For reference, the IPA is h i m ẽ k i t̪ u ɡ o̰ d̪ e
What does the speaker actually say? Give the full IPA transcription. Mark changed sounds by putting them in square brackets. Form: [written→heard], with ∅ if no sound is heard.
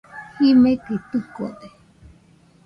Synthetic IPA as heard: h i m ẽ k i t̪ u [ɡ→k] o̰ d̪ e